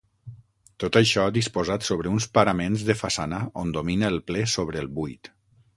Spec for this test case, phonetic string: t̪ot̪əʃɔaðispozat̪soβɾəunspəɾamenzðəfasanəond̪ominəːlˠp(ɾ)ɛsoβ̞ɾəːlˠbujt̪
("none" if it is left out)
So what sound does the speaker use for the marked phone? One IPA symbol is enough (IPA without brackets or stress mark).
l